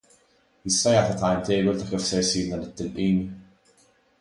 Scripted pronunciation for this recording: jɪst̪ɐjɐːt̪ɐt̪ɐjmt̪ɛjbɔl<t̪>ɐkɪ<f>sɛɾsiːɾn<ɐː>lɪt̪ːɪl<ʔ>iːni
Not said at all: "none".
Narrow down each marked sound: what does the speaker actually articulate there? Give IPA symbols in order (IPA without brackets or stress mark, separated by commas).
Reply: t̪, f, ɐ, ʔ